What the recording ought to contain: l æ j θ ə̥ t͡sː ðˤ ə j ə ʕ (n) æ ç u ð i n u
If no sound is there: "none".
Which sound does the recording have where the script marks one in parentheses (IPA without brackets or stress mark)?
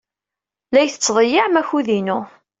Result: m